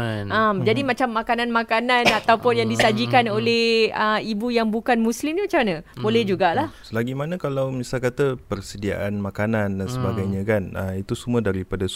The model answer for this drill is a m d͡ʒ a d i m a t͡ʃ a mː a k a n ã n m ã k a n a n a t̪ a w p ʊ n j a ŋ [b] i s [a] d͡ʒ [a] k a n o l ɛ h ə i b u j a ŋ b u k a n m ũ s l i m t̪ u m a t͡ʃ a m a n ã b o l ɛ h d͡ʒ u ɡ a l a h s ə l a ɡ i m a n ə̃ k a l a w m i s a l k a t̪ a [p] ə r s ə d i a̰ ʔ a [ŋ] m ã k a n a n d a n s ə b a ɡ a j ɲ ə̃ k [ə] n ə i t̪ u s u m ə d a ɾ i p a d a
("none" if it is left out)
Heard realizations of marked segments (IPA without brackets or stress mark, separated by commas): d, a, i, p, n, a